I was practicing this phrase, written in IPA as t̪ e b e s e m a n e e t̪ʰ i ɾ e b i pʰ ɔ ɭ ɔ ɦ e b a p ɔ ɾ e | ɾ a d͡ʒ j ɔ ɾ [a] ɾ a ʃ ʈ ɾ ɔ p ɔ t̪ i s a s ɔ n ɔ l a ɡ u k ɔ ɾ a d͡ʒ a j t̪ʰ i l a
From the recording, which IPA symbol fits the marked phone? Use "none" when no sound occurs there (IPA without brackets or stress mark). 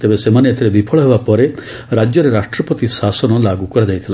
e